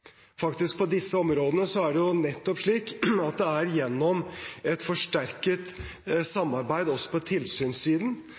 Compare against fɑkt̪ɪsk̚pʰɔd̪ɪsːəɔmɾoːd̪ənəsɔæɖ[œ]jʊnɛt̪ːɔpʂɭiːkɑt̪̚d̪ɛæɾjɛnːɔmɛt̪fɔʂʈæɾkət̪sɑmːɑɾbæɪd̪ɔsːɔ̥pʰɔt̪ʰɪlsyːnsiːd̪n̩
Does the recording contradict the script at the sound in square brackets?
yes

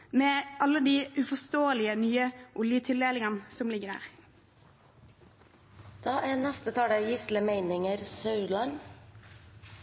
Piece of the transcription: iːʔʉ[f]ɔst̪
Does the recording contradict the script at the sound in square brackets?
no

